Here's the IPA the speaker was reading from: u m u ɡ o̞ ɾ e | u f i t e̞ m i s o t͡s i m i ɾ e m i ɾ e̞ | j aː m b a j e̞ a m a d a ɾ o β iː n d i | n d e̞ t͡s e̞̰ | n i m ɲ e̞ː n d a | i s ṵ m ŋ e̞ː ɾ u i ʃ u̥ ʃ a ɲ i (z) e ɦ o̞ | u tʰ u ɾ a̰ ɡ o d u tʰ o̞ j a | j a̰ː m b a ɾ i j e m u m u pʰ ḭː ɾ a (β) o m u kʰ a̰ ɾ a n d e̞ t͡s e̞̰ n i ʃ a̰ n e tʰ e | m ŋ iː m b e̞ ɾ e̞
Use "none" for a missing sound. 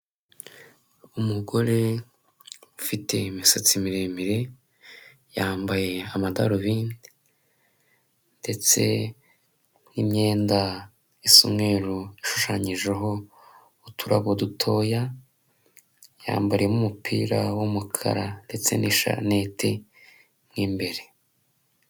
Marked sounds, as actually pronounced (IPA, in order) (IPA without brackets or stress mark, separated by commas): ʒ, w